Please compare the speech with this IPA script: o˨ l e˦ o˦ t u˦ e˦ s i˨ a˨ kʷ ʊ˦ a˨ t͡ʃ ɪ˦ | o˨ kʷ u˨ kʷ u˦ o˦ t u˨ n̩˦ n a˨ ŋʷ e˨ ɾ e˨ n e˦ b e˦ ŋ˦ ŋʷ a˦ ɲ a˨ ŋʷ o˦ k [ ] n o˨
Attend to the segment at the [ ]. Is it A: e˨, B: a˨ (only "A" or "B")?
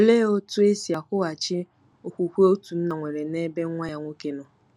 A